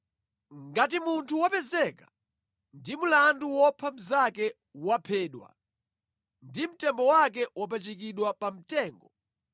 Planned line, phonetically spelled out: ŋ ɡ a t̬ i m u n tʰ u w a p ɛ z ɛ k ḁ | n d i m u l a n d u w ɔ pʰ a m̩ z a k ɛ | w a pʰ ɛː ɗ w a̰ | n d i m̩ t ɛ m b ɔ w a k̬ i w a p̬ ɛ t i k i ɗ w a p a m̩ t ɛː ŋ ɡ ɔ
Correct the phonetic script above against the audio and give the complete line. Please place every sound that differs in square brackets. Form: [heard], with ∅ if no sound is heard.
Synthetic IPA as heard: ŋ ɡ a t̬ i m u n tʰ u w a p ɛ z ɛ k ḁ | n d i m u l a n d u w ɔ pʰ a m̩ z a k ɛ | w a pʰ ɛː ɗ w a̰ | n d i m̩ t ɛ m b ɔ w a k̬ [ɛ] w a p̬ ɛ [t͡ʃ] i k i ɗ w a p a m̩ t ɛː ŋ ɡ ɔ